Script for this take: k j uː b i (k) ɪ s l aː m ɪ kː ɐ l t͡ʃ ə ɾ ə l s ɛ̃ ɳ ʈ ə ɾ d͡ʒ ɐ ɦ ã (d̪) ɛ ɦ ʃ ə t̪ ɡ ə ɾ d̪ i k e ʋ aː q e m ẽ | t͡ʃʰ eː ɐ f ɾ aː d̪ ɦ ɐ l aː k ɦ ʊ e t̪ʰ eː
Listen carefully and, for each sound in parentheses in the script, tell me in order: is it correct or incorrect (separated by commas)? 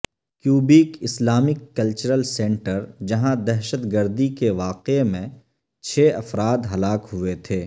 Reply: correct, correct